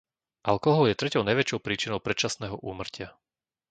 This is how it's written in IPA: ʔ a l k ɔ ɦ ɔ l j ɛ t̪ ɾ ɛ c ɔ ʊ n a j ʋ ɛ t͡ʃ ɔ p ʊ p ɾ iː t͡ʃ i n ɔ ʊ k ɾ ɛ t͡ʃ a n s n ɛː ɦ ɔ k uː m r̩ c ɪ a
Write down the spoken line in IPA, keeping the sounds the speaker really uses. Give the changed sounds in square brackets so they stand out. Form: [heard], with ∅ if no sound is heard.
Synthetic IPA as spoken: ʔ a l k ɔ ɦ ɔ l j ɛ t̪ ɾ ɛ c ɔ ʊ n a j ʋ ɛ t͡ʃ ɔ [∅] ʊ p ɾ iː t͡ʃ i n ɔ ʊ [p] ɾ ɛ t͡ʃ a [∅] s n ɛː ɦ ɔ [ʔ] uː m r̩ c ɪ a